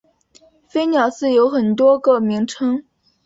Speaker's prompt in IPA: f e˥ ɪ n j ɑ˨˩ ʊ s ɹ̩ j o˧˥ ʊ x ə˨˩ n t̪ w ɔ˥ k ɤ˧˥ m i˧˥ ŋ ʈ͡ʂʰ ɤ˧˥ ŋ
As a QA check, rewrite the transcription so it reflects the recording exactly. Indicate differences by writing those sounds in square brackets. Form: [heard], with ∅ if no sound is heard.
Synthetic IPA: f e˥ ɪ n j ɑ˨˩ ʊ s ɹ̩ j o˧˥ ʊ x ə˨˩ n t̪ w ɔ˥ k [ɤ˥˩] m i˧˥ ŋ ʈ͡ʂʰ [ɤ˥] ŋ